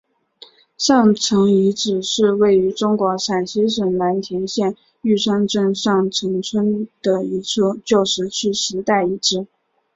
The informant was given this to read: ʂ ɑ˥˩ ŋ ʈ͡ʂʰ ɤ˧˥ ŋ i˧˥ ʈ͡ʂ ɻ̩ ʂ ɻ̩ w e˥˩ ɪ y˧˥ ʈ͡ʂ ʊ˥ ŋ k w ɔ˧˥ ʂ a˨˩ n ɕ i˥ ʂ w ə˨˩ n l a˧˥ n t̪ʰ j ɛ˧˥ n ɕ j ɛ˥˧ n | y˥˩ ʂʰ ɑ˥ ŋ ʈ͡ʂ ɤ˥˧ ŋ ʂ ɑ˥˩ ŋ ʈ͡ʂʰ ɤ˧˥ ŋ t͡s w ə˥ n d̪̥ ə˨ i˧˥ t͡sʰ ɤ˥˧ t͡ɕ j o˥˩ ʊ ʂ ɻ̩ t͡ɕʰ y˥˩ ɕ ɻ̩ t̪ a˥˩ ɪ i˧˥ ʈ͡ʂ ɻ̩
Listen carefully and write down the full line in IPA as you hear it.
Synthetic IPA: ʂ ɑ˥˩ ŋ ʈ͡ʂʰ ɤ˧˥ ŋ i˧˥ ʈ͡ʂ ɻ̩ ʂ ɻ̩ w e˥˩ ɪ y˧˥ ʈ͡ʂ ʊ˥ ŋ k w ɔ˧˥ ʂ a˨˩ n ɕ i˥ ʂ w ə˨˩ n l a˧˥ n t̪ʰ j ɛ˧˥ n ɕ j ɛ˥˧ n | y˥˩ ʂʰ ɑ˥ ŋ ʈ͡ʂ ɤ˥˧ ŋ ʂ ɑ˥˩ ŋ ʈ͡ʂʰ ɤ˧˥ ŋ t͡sʰ w ə˥ n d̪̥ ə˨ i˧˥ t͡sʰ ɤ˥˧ t͡ɕ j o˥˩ ʊ ʂ ɻ̩ t͡ɕʰ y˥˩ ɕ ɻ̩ t̪ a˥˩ ɪ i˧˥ ʈ͡ʂ ɻ̩